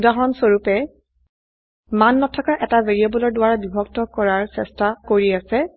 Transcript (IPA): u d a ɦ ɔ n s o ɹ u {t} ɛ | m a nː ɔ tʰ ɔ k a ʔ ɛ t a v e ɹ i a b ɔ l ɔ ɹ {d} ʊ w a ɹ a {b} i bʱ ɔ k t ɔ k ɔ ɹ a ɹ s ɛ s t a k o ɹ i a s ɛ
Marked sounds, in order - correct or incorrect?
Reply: incorrect: p, correct, correct

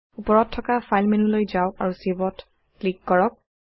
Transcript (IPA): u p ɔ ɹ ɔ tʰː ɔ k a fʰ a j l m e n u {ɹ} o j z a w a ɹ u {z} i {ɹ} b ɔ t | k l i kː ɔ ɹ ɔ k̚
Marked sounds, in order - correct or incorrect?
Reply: incorrect: l, incorrect: s, incorrect: none

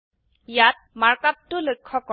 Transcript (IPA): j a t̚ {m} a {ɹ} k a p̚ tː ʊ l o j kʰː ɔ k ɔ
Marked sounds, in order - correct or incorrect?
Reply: correct, correct

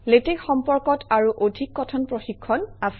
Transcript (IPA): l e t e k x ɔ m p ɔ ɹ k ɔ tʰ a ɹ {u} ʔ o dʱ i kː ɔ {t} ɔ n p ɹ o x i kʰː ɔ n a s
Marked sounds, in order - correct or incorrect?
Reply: correct, incorrect: tʰ

